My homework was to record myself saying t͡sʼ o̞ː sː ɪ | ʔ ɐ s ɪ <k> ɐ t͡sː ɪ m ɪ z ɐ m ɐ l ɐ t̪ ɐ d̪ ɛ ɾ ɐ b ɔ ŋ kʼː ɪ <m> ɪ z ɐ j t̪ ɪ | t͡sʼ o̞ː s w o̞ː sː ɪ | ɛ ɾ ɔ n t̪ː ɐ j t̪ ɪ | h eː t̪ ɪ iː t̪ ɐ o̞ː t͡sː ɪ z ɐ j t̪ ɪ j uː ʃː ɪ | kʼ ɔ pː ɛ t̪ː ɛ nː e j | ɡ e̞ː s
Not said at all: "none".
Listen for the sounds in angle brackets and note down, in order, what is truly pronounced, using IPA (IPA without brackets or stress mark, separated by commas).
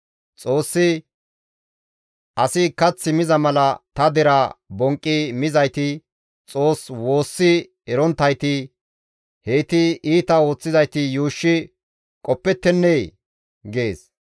k, m